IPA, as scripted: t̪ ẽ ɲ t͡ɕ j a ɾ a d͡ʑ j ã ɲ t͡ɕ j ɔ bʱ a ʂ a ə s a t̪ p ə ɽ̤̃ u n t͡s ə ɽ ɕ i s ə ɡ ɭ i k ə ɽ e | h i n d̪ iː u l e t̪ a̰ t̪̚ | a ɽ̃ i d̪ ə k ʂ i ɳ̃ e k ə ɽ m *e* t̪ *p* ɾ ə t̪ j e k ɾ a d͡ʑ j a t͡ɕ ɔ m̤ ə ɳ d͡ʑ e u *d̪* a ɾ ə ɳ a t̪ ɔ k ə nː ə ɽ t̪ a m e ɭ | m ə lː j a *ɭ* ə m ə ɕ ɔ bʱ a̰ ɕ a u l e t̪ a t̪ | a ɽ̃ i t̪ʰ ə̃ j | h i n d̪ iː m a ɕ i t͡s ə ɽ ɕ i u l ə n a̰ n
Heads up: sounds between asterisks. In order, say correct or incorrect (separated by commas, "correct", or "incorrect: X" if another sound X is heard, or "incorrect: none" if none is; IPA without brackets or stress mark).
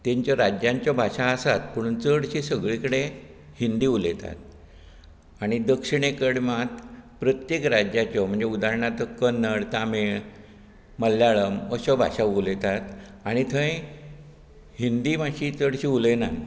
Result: incorrect: a, correct, correct, correct